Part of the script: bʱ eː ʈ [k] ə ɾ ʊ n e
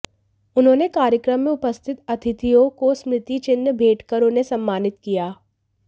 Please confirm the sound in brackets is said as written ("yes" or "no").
yes